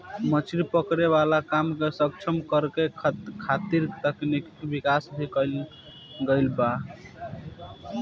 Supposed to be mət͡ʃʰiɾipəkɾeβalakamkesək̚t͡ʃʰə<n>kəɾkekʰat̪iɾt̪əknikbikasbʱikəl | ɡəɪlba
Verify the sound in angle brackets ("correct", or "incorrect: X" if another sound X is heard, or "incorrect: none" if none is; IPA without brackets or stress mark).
incorrect: m